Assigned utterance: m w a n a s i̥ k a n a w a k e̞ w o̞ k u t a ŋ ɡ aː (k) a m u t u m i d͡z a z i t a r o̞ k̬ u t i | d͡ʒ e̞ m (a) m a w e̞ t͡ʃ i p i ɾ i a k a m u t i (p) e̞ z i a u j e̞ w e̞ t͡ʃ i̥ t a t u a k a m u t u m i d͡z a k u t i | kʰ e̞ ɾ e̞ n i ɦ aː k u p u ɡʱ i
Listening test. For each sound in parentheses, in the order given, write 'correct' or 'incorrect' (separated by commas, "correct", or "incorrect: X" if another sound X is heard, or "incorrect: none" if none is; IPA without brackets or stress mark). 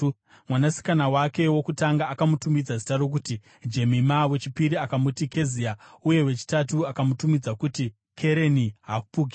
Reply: correct, incorrect: i, incorrect: k